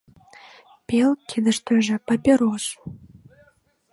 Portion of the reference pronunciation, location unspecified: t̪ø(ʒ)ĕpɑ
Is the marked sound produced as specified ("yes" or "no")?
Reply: yes